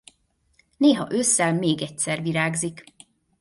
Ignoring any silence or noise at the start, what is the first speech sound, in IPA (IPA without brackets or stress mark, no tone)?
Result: n